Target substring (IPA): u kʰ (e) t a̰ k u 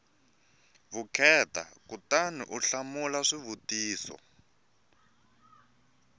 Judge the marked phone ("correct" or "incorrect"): incorrect